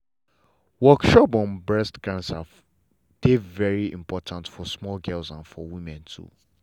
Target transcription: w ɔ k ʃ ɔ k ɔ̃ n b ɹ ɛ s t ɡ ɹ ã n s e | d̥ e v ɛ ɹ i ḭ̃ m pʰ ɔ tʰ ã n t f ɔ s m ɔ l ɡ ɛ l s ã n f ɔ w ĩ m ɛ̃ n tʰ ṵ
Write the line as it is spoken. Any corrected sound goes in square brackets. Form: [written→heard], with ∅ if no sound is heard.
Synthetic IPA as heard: w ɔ k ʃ ɔ [k→p] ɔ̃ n b ɹ ɛ s t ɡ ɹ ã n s [e→a] | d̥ e v ɛ ɹ i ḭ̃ m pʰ ɔ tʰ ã n t f ɔ s m ɔ l ɡ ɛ l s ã n f ɔ w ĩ m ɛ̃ n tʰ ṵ